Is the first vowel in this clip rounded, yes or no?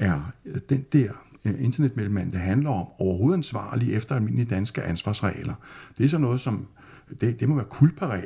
no